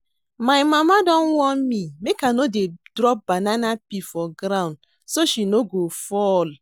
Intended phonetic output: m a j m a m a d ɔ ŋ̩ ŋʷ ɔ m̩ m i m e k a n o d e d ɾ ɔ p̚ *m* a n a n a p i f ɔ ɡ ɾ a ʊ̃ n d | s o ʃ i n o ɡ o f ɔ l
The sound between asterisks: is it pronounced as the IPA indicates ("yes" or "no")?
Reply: no